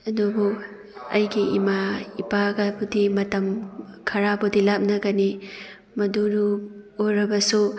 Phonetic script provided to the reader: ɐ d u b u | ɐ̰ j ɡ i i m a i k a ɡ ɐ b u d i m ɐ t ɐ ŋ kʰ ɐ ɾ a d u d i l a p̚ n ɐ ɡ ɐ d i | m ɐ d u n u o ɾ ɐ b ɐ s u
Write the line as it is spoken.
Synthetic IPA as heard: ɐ d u b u | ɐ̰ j ɡ i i m a i p a ɡ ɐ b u d i m ɐ t ɐ m kʰ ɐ ɾ a b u d i l a p̚ n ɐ ɡ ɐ n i | m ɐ d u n u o ɾ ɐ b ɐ s u